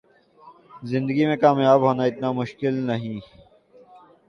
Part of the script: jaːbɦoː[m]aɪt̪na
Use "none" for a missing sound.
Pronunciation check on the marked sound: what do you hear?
n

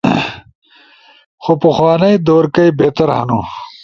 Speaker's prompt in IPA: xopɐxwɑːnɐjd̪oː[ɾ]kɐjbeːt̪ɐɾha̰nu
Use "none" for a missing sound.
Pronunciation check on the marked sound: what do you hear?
ɾ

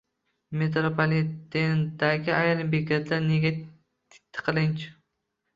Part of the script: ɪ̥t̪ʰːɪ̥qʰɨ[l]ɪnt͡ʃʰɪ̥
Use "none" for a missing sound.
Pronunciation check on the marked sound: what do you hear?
l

